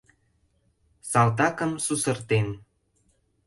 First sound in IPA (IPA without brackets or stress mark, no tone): s